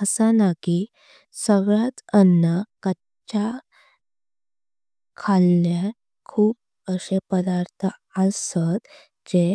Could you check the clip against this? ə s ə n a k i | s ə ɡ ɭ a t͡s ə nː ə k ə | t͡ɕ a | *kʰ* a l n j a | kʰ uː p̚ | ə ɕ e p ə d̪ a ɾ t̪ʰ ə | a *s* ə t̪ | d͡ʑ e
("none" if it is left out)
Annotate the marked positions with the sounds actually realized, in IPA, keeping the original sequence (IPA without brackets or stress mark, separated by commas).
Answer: kʰ, s